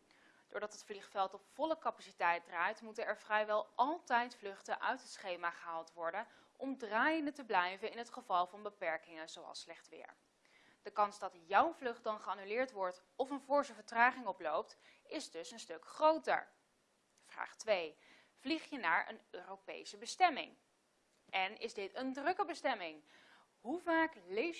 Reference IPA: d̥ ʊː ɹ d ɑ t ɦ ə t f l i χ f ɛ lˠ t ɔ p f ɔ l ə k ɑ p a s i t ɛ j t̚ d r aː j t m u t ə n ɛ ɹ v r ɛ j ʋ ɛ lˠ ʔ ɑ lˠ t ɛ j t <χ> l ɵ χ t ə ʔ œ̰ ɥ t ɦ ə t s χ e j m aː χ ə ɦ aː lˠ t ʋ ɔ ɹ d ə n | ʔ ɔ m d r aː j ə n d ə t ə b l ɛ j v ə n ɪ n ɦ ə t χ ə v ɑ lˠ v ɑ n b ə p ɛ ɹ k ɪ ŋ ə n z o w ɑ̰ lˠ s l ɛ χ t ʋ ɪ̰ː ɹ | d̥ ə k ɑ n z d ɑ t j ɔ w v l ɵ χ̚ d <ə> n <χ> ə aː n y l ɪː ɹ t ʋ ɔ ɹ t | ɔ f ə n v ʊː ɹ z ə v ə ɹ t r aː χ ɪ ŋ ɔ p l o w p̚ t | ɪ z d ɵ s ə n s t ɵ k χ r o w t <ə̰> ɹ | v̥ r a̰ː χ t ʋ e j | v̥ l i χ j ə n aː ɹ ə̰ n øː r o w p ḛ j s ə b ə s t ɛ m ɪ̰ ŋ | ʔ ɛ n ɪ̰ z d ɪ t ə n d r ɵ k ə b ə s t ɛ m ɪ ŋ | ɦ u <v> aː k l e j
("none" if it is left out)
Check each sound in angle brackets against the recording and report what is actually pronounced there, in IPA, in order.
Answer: f, ɑ, χ, ə̰, v

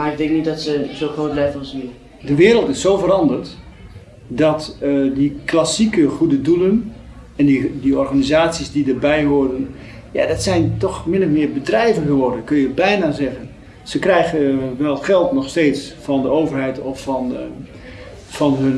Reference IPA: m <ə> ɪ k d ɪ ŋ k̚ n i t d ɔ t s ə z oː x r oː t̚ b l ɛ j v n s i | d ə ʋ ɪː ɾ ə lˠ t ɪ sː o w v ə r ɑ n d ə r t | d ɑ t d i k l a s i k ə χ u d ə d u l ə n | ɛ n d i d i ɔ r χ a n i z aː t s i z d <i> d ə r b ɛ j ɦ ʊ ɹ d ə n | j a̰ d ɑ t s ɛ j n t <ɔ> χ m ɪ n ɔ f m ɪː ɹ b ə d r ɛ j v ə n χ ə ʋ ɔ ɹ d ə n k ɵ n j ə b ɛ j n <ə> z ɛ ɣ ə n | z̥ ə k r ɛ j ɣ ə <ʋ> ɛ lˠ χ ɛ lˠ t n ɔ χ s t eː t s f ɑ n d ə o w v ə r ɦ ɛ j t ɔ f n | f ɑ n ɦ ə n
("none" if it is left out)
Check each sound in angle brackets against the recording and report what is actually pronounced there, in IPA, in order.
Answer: a, i, ɔ, a, ʋ

